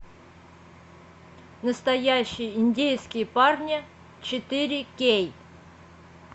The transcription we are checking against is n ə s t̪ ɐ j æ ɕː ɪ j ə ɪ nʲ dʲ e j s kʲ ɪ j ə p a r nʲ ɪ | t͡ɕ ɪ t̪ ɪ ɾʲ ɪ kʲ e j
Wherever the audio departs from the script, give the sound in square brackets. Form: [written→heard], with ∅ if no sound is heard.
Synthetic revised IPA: n ə s t̪ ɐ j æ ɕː ɪ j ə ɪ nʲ dʲ e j s kʲ ɪ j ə p a r nʲ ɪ | t͡ɕ ɪ t̪ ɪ ɾʲ ɪ kʲ e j